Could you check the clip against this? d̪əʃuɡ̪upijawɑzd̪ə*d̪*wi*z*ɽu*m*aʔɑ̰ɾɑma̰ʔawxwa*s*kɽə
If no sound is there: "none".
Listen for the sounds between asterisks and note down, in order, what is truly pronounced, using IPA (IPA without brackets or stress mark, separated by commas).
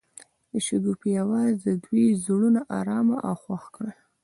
d̪, z, n, x